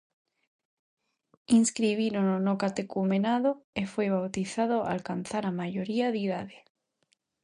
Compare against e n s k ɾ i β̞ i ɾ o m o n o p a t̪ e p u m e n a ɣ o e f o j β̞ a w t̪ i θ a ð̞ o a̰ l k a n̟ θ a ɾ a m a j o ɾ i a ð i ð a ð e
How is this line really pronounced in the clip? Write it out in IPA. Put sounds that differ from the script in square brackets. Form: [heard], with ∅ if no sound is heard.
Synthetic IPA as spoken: [i] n s k ɾ i β̞ i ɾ o [n] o n o [k] a t̪ e [k] u m e n a [ð] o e f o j β̞ a w t̪ i θ a ð̞ o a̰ l k a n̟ θ a ɾ a m a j o ɾ i a ð i ð a ð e